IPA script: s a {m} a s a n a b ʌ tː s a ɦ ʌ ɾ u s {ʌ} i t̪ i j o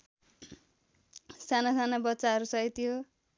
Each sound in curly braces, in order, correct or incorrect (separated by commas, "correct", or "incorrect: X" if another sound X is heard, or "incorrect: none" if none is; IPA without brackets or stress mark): incorrect: n, correct